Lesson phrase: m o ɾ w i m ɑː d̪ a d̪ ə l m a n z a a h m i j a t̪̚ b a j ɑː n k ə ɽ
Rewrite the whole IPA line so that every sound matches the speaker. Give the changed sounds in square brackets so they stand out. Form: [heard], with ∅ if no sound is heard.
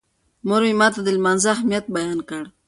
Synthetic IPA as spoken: m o ɾ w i m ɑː [t̪] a d̪ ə l m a n z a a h m i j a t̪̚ b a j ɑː n k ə ɽ